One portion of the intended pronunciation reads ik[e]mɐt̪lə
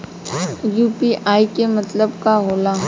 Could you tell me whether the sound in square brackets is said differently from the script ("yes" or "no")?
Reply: no